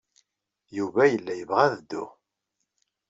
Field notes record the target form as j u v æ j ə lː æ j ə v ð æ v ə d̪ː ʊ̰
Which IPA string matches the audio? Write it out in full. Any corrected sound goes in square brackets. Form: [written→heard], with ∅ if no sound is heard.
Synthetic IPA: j u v æ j ə lː æ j ə v [ð→ʁ] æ [v→ð] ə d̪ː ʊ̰